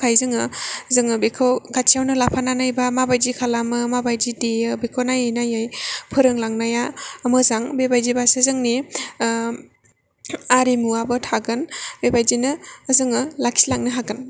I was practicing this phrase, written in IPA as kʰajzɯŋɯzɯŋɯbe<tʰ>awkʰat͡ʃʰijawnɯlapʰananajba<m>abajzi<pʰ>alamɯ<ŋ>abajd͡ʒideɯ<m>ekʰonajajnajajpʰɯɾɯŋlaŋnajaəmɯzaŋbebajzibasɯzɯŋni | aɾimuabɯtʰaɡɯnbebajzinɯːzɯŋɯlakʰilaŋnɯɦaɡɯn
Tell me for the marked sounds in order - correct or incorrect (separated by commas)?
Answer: incorrect, correct, incorrect, incorrect, incorrect